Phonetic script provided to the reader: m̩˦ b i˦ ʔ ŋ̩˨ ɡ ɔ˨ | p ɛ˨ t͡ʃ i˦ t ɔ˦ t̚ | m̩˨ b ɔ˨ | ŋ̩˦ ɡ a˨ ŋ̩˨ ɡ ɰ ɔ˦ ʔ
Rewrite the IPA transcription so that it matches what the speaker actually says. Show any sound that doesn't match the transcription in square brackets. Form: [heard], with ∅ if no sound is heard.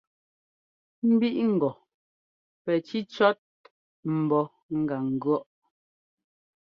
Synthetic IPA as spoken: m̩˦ b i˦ ʔ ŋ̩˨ ɡ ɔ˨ | p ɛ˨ t͡ʃ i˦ [t͡ʃ] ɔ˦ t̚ | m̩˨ b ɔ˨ | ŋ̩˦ ɡ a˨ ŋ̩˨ ɡ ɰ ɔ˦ ʔ

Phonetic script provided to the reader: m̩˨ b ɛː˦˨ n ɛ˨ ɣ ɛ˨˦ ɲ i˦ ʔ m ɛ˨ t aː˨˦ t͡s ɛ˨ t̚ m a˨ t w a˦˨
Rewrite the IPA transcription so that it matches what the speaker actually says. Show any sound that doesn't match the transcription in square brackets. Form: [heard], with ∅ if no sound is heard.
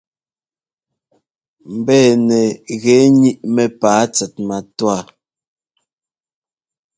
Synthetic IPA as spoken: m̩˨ b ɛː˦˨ n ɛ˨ ɣ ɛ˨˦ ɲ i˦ ʔ m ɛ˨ [p] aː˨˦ t͡s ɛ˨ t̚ m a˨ t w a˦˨

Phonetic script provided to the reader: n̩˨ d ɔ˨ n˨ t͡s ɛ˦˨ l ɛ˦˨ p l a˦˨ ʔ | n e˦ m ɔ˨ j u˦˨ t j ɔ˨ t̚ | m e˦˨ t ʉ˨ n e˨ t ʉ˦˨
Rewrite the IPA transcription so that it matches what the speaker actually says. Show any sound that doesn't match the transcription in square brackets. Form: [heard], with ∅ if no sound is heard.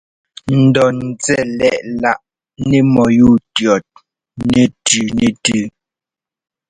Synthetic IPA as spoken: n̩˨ d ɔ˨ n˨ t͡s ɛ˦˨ l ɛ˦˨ [ʔ] l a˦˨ ʔ | n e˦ m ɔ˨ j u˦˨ t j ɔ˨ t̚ | [n] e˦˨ t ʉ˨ n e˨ t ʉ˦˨

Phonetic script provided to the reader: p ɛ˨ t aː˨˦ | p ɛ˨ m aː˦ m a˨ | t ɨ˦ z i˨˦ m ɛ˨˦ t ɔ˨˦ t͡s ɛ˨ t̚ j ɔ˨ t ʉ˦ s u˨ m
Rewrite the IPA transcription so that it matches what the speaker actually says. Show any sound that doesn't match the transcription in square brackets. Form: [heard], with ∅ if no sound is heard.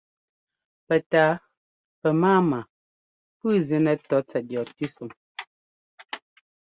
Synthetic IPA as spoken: p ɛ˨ t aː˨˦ | p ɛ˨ m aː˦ m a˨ | [p] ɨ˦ z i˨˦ [n] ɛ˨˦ t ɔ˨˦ t͡s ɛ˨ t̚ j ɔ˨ t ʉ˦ s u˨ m

